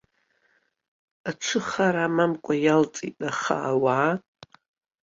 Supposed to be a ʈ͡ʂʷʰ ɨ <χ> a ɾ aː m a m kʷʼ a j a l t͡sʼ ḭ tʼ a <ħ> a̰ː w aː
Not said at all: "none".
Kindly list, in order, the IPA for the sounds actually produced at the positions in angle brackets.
χ, χ

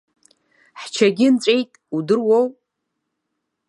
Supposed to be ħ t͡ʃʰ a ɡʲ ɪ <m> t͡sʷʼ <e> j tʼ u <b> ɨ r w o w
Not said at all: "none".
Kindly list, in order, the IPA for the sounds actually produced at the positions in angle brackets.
n, e, d

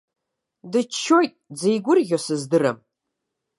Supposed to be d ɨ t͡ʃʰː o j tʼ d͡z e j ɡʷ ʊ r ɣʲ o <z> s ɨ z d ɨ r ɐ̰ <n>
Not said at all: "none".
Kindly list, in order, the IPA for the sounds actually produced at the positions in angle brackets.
none, m

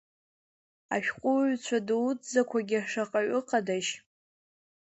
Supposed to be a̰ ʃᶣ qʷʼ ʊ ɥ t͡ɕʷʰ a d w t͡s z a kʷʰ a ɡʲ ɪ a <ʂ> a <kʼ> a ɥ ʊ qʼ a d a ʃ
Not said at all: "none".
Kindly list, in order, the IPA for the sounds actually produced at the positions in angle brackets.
ʂ, qʼ

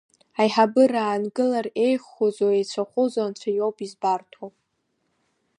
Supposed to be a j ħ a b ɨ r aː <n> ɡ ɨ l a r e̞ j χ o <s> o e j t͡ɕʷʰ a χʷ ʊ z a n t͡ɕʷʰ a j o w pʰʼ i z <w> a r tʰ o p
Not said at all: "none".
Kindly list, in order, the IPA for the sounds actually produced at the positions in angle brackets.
n, z, b

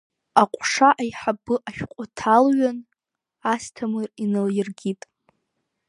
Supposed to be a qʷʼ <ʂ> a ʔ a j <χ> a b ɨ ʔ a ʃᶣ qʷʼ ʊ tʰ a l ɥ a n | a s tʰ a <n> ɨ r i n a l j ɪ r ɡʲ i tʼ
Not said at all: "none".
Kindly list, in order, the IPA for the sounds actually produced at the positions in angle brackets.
ʂ, ħ, m

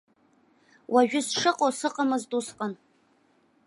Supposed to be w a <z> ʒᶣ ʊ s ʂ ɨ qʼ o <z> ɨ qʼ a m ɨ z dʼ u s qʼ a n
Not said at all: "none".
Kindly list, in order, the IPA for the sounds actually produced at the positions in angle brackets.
none, s

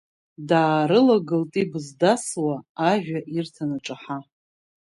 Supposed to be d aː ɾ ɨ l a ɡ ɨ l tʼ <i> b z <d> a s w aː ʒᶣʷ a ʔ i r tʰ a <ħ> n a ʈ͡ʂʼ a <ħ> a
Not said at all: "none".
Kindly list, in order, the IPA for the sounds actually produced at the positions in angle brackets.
i, d, none, ħ

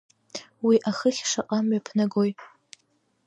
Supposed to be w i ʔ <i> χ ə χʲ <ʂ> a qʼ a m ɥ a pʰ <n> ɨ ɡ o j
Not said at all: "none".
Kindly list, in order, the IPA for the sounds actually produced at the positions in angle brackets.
a, ʂ, n

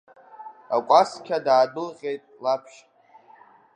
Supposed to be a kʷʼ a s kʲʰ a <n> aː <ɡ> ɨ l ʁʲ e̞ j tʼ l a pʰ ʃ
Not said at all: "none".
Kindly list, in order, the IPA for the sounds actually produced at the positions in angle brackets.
d, d

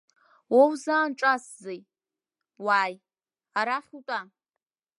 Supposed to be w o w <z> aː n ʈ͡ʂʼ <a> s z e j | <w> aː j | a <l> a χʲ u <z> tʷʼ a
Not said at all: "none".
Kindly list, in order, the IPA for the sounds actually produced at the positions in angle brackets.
z, a, w, ɾ, none

